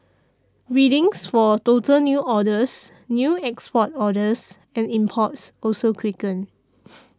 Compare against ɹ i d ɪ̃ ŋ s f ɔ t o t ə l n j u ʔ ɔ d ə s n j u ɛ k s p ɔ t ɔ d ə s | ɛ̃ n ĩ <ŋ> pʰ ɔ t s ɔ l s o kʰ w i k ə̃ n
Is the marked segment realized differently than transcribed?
yes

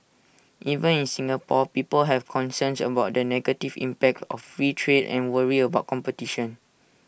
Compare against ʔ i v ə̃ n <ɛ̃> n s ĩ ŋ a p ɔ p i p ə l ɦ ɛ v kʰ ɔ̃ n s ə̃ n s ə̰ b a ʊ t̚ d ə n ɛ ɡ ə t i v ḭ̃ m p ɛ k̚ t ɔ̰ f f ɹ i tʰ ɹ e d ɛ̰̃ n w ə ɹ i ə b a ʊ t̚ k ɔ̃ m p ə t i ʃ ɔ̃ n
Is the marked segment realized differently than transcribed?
yes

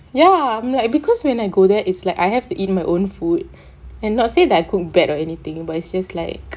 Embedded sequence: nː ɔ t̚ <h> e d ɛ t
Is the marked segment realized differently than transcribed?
yes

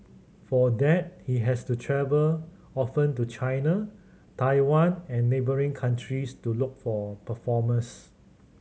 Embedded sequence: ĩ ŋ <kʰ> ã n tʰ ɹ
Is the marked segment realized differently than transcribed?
no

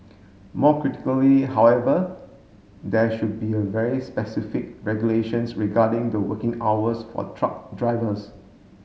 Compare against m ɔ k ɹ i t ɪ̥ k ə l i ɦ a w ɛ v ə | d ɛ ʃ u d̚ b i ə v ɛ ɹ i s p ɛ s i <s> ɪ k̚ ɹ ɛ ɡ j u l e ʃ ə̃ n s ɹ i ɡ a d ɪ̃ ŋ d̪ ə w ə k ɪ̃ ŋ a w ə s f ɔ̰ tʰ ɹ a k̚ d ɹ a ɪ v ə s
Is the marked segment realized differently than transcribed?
yes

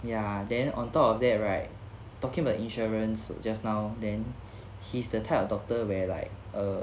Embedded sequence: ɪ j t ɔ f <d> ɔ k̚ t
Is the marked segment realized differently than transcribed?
no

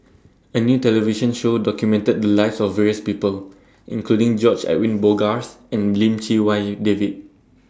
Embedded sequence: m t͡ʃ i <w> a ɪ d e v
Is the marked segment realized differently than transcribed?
no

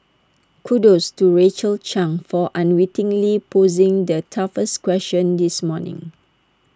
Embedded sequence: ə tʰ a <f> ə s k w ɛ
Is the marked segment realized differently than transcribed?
no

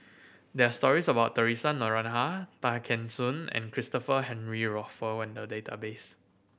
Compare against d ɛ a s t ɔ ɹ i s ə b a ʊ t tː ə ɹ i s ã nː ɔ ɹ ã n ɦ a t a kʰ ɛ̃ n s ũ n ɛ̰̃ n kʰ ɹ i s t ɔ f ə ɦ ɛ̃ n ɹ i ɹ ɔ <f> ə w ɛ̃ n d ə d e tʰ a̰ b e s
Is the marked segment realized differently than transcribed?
no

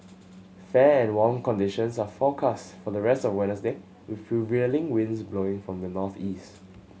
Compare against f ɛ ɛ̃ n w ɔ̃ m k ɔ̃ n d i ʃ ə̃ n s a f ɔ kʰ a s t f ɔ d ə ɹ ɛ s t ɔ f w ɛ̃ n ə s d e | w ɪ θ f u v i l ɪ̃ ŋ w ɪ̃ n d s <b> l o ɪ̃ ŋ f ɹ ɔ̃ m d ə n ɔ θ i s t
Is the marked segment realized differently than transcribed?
no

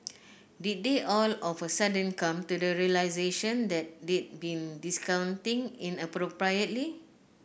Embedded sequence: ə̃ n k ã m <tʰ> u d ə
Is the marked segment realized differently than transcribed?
yes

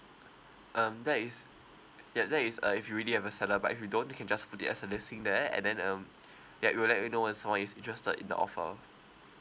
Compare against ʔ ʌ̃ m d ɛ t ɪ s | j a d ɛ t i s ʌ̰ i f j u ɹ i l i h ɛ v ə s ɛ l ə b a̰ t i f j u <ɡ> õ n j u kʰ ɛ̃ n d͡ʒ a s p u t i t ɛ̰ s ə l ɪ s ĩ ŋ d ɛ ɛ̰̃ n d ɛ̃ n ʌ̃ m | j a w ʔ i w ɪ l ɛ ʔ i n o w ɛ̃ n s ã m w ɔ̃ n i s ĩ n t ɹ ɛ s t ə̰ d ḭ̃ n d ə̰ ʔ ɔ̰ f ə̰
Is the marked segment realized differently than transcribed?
yes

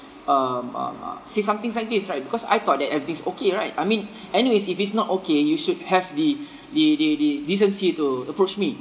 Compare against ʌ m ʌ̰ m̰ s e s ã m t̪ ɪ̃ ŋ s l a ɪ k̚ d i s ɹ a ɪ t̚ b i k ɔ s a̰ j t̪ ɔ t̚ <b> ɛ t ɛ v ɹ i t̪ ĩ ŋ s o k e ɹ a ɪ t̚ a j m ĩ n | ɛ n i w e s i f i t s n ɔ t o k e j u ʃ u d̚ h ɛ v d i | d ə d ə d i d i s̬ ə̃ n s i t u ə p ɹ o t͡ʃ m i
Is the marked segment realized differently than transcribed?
yes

